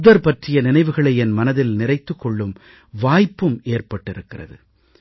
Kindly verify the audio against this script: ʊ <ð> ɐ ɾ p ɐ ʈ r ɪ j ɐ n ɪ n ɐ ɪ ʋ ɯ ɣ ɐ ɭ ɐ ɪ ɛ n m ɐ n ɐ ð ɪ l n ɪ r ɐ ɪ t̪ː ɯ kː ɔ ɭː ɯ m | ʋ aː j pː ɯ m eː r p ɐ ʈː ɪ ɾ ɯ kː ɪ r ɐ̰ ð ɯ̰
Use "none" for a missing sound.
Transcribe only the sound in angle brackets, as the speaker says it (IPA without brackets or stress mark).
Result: ð